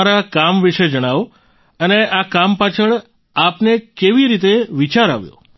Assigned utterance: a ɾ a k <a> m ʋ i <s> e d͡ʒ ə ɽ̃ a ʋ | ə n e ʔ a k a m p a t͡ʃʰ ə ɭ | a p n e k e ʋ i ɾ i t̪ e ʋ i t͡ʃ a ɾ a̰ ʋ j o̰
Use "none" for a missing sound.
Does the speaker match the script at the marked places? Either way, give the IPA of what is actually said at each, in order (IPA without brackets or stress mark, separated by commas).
a, ʃ